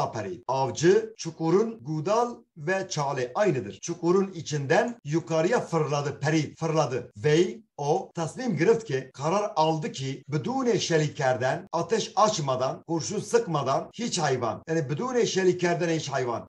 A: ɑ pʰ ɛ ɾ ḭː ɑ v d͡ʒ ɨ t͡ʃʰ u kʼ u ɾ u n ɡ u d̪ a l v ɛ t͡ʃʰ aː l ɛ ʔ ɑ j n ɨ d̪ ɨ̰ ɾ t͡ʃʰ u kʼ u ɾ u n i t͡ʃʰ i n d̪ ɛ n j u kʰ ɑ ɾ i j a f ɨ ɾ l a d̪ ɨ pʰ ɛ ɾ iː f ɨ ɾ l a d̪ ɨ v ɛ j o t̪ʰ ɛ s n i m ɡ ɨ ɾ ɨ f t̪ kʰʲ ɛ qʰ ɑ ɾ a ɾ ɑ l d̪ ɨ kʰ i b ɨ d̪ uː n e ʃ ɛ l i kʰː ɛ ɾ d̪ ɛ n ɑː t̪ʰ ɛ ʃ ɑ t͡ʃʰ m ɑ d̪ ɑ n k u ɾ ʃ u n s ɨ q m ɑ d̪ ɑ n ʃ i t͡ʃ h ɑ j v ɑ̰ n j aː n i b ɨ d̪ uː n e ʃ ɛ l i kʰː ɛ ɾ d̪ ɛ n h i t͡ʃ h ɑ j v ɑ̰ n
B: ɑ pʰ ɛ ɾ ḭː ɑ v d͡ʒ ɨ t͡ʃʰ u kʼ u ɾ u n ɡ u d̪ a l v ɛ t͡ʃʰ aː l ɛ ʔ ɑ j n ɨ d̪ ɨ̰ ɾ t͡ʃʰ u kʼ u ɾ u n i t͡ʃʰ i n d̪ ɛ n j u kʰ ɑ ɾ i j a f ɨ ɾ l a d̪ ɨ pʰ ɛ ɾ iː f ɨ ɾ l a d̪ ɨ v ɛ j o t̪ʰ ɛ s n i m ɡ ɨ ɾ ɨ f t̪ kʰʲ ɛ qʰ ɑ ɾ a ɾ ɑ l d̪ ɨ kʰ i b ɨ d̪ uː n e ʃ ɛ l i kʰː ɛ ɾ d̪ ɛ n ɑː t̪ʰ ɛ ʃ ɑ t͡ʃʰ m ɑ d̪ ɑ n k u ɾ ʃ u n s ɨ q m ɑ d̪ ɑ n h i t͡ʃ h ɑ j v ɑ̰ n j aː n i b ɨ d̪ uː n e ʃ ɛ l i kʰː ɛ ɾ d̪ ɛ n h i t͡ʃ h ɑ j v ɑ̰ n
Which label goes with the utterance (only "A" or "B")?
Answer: B